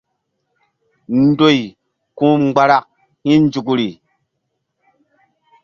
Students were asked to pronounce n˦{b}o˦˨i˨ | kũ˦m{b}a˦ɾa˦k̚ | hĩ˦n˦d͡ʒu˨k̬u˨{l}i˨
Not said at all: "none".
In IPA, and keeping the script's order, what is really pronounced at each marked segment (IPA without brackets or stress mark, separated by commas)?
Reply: d, ɡ͡b, ɾ